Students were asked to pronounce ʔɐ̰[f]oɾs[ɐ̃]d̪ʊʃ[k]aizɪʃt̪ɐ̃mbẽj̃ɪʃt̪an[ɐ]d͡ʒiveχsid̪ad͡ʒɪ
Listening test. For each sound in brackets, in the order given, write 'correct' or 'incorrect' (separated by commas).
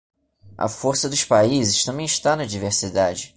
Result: correct, incorrect, incorrect, correct